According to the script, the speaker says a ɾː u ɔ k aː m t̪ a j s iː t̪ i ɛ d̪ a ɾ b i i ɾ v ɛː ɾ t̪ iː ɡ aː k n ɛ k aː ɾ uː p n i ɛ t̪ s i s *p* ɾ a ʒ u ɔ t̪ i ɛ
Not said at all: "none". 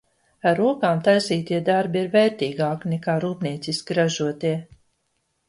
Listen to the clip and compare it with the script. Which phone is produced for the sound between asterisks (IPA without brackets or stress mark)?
k